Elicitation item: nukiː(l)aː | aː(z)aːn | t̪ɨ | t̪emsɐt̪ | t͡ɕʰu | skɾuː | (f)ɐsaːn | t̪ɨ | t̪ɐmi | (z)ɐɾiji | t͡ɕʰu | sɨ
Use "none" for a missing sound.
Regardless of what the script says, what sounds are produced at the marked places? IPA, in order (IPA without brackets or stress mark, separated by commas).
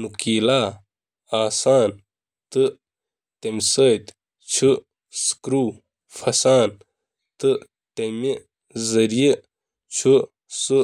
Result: l, s, f, z